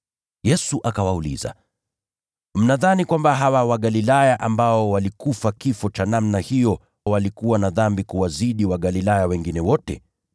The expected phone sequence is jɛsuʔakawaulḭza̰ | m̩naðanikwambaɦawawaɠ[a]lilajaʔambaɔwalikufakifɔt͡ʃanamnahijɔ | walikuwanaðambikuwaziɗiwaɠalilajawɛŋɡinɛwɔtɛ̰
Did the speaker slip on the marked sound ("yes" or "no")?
no